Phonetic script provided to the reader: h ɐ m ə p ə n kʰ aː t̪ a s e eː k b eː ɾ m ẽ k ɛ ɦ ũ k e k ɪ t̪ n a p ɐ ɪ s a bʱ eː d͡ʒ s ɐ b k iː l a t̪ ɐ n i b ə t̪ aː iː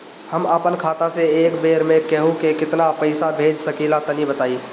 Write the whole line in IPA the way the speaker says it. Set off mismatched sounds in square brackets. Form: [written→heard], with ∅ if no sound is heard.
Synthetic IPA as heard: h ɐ m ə p ə n kʰ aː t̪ a s e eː k b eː ɾ m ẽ k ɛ ɦ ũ k e k ɪ t̪ n a p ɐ ɪ s a bʱ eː d͡ʒ s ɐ [b→∅] k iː l a t̪ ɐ n i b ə t̪ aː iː